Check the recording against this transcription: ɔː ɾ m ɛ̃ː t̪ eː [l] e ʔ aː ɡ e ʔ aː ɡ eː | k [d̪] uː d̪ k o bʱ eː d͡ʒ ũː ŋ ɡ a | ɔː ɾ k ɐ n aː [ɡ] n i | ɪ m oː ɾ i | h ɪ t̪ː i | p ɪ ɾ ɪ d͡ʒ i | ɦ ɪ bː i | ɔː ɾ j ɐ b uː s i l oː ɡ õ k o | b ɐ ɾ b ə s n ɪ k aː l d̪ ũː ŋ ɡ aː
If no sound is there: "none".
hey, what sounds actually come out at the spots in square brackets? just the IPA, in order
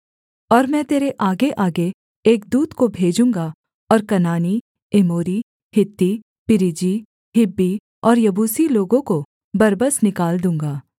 ɾ, d̪, none

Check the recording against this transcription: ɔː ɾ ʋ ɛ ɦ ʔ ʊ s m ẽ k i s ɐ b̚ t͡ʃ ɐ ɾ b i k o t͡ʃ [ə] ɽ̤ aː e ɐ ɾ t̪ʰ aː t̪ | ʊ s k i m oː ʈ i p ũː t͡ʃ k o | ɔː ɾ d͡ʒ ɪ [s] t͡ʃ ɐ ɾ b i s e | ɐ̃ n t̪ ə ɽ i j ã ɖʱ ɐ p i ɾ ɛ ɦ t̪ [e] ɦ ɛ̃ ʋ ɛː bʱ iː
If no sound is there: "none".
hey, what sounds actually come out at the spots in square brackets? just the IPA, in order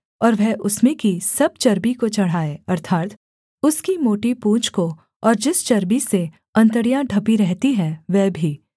ɐ, s, i

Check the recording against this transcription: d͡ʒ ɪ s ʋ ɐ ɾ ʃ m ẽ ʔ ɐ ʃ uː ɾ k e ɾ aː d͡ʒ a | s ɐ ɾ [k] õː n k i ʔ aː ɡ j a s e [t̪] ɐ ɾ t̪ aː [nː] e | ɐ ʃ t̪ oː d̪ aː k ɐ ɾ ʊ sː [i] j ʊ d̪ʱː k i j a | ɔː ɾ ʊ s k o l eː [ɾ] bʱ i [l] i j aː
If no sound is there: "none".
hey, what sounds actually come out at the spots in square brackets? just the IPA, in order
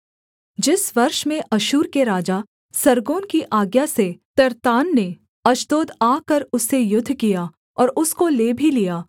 ɡ, t̪, nː, e, none, l

